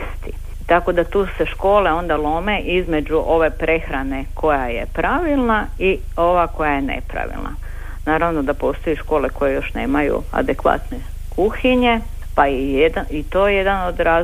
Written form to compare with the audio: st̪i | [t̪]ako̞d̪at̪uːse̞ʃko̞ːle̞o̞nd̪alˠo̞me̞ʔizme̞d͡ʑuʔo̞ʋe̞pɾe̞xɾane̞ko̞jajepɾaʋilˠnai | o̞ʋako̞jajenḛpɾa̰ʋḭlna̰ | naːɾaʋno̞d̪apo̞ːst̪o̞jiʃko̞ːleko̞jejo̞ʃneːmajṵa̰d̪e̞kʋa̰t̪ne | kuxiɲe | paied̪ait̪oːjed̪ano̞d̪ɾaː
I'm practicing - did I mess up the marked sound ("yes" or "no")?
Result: no